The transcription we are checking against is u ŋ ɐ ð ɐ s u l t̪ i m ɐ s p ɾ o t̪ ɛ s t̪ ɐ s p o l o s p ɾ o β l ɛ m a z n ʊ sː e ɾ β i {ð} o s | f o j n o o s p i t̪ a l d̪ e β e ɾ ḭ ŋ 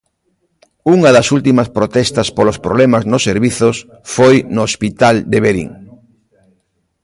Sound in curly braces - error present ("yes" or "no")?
yes